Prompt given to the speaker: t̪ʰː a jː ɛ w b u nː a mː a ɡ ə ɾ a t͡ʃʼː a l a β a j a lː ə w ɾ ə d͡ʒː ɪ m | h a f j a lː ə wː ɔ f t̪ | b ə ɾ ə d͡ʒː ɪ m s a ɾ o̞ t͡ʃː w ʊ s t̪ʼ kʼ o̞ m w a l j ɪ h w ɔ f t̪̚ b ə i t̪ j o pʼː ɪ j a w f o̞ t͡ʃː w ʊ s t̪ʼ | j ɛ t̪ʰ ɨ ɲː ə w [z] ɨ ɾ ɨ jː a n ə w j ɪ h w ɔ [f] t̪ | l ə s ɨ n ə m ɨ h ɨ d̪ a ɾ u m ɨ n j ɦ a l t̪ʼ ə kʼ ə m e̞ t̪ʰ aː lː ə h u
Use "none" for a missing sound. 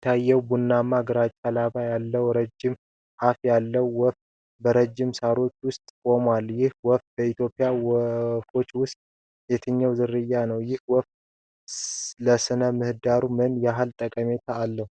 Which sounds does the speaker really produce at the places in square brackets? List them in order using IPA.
z, f

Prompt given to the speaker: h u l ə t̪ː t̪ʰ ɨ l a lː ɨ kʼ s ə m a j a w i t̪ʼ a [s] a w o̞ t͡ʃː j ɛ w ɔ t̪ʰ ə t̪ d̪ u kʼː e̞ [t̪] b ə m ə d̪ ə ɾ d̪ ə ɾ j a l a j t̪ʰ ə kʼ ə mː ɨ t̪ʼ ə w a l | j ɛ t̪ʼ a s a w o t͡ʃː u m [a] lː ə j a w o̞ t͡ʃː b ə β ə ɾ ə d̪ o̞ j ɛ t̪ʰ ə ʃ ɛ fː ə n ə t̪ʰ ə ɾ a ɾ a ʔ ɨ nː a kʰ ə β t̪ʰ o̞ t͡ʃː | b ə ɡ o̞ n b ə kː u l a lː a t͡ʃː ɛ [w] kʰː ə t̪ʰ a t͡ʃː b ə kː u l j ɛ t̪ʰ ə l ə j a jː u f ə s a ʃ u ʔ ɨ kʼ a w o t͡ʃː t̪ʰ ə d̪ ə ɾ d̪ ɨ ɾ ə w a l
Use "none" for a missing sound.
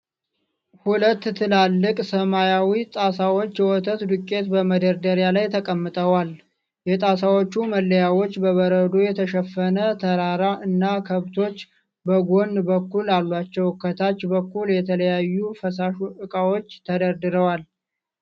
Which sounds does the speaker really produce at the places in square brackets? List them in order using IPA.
s, t̪, ə, w

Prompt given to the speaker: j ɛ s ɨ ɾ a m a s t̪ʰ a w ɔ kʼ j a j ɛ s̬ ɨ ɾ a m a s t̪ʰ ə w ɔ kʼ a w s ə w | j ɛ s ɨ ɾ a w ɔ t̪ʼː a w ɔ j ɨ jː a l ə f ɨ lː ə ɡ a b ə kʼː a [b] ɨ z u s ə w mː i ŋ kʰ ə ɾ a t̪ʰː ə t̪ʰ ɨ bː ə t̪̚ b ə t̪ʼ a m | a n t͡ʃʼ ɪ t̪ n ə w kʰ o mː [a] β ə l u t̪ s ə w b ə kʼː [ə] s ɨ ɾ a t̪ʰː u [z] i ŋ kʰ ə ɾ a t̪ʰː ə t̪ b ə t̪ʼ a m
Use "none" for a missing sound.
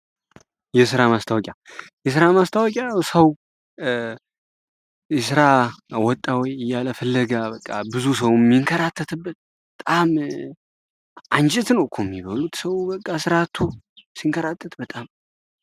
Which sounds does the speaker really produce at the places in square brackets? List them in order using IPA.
b, i, a, s

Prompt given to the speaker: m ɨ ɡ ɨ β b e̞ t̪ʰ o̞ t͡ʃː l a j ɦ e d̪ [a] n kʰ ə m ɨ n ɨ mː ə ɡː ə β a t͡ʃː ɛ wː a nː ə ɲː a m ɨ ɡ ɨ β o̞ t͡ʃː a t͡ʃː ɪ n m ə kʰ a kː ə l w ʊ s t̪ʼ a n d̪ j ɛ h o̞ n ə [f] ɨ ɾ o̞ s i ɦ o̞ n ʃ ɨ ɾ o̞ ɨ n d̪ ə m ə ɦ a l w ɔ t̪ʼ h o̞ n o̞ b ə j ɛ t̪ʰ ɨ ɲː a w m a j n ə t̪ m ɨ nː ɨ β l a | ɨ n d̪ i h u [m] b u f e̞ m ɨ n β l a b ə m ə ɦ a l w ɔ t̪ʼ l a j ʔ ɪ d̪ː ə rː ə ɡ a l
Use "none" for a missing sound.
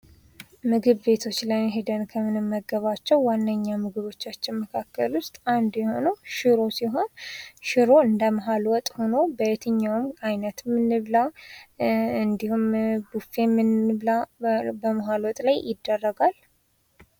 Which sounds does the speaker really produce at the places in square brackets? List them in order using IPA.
ə, ʃ, m

